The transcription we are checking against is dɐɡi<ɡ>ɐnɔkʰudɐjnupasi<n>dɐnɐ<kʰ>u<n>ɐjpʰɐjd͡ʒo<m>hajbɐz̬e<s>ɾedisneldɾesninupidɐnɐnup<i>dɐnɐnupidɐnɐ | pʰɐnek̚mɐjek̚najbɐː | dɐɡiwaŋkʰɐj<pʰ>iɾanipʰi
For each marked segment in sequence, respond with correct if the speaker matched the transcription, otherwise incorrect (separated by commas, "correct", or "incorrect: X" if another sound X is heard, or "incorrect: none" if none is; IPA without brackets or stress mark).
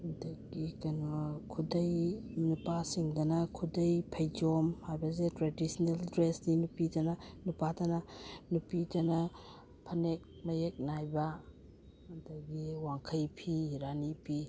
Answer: incorrect: k, incorrect: ŋ, correct, incorrect: d, correct, incorrect: t, incorrect: a, correct